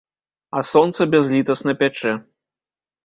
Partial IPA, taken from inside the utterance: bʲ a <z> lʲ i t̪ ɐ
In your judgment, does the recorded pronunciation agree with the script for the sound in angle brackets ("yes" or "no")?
yes